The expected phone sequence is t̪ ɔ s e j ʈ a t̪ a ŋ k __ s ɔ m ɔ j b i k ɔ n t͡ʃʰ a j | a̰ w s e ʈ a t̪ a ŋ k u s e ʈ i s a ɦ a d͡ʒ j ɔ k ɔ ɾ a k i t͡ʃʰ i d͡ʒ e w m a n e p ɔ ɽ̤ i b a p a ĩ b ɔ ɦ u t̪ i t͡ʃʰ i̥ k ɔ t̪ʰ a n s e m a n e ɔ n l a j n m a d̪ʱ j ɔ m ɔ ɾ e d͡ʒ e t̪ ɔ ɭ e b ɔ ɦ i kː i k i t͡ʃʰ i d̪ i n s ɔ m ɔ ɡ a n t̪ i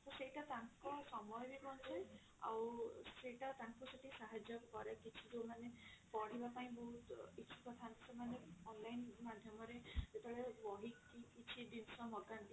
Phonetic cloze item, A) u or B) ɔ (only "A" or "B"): B